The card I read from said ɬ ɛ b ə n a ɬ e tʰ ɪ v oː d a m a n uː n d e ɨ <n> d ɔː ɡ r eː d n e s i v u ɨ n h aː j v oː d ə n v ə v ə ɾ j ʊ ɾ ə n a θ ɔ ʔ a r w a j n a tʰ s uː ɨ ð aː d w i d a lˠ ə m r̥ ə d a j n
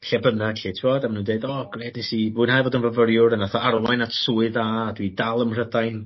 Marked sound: incorrect: none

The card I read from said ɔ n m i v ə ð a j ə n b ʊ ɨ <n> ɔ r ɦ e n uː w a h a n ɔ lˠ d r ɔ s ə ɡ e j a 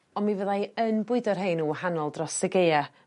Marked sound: incorrect: d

